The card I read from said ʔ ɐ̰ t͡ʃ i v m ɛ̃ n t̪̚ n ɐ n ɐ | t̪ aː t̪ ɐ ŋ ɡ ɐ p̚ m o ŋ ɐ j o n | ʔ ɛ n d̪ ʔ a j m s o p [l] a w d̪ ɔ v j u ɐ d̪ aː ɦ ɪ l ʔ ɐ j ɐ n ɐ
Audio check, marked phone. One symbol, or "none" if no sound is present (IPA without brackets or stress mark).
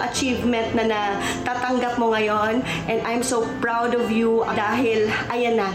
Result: ɹ